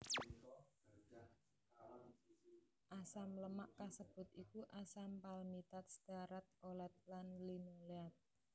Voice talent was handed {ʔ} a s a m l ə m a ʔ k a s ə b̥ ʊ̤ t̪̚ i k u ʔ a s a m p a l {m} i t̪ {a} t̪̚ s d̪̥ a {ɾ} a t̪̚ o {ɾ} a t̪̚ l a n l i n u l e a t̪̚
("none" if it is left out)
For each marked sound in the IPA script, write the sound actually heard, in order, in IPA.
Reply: ʔ, m, a, ɾ, l

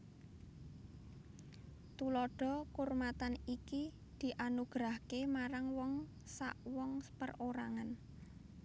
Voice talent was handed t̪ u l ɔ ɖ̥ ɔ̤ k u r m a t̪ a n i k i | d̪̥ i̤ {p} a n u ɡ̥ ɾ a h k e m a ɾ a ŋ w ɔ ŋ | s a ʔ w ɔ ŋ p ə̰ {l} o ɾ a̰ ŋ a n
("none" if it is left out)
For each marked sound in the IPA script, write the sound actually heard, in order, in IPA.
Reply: ʔ, r

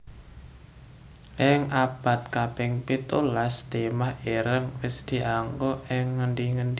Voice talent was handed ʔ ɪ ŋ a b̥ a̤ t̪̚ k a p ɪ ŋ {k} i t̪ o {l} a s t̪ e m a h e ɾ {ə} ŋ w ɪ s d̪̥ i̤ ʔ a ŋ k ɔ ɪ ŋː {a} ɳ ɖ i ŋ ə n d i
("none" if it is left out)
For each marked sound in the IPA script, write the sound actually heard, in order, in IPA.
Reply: p, l, ə, ə

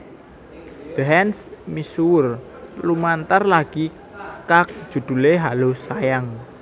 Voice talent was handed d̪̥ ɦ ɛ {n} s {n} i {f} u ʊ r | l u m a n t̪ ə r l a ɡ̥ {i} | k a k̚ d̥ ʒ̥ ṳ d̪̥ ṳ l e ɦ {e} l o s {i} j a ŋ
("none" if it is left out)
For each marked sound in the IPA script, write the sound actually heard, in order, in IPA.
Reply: n, m, s, i, a, a

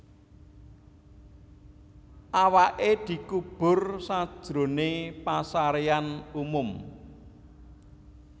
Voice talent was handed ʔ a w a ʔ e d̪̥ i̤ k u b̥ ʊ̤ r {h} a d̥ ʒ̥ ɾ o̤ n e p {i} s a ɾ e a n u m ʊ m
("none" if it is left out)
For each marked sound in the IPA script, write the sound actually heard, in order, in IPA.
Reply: s, a

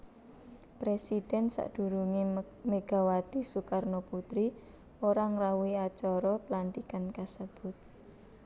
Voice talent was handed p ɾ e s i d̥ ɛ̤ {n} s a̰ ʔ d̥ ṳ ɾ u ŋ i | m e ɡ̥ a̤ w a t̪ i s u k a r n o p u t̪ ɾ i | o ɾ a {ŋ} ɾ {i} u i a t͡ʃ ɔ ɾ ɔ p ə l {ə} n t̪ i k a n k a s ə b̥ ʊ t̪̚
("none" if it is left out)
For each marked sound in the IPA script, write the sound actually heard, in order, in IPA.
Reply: n, ŋ, a, a

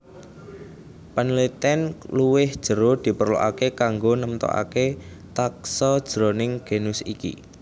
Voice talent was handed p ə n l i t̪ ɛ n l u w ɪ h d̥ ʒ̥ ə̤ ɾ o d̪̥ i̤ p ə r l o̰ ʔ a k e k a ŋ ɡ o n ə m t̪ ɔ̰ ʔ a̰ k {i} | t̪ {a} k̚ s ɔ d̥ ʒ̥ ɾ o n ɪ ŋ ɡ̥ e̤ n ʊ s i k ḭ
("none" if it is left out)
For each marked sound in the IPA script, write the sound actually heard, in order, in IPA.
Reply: e, a

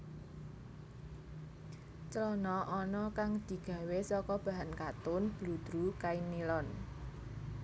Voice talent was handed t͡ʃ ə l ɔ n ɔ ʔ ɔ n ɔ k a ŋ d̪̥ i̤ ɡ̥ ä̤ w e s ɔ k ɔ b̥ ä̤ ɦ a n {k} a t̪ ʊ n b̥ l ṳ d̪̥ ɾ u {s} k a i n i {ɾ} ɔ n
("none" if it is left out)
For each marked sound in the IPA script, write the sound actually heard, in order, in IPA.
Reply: k, none, l

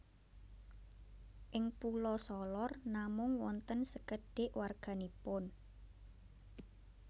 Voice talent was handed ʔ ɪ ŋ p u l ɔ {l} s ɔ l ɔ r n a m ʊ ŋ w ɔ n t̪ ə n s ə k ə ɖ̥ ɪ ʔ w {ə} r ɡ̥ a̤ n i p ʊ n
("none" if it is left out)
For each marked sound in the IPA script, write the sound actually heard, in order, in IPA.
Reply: none, a

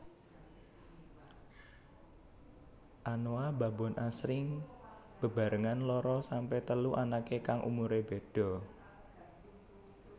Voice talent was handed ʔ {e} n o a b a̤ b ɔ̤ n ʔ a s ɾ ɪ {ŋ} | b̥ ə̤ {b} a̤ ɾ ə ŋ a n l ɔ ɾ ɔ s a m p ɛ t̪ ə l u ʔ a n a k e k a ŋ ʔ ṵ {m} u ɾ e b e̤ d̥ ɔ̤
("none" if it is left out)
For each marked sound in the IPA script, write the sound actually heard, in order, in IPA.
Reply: a, ŋ, b, m

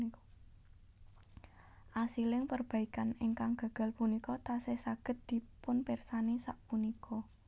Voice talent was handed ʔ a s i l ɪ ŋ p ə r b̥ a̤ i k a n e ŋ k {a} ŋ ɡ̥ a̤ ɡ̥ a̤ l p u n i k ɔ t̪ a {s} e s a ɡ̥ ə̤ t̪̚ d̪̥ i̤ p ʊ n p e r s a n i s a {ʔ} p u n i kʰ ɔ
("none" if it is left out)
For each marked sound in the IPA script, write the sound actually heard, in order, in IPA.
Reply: a, s, ʔ

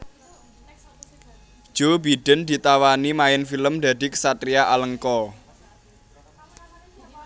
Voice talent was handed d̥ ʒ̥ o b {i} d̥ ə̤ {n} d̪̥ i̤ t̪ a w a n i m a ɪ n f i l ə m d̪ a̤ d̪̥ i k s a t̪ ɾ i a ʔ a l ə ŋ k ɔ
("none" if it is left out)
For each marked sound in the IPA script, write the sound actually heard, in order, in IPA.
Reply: i, n

